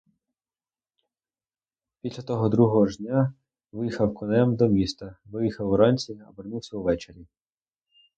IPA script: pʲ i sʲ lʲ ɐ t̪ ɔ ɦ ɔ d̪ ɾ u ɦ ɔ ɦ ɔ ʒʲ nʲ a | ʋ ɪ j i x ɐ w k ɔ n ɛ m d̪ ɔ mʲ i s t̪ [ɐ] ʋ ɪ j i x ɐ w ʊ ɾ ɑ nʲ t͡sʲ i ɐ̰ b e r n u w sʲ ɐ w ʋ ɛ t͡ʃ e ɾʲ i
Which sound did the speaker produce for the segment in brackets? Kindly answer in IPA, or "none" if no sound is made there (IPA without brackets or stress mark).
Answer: ɐ